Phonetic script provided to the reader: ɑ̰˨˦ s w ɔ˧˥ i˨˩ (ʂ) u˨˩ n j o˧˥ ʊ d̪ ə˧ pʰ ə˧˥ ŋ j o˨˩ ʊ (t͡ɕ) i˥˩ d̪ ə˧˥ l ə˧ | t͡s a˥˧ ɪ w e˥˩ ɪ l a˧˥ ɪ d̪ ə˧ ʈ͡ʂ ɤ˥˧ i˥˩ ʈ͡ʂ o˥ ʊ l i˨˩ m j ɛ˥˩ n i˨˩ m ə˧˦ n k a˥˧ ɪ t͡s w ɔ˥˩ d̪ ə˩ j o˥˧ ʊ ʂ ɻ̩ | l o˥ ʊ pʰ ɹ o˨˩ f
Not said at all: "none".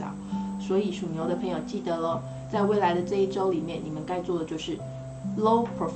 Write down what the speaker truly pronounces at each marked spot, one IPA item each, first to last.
ʂ, t͡ɕ

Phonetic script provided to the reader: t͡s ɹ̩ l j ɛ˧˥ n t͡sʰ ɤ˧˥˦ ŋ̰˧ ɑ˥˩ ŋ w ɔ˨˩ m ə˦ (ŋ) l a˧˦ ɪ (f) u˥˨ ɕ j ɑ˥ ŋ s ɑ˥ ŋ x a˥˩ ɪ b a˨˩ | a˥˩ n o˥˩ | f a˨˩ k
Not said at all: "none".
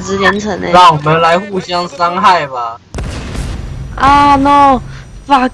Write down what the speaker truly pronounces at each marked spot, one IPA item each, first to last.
n, x

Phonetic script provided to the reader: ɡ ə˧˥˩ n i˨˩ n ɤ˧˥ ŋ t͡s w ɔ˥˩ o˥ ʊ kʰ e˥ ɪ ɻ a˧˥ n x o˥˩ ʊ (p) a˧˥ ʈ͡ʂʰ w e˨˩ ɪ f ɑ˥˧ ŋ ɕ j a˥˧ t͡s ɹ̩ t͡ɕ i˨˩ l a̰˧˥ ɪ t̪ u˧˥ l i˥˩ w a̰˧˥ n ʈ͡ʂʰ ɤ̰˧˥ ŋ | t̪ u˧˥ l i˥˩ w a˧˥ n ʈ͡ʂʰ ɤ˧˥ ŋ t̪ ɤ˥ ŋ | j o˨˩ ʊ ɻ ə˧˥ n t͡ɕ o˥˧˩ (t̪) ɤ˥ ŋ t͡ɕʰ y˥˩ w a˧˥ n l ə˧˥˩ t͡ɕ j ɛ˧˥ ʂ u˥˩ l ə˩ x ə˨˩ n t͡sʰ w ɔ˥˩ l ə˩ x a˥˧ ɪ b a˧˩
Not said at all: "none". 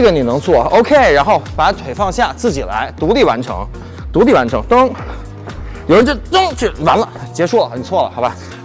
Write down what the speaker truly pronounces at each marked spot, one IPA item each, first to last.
p, t̪

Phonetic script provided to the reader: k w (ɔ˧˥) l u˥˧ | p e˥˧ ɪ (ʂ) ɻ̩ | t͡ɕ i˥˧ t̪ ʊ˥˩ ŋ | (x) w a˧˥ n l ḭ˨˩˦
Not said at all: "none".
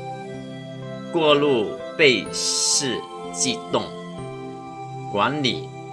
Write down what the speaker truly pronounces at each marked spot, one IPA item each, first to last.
ɔ˥˧, ʂ, k

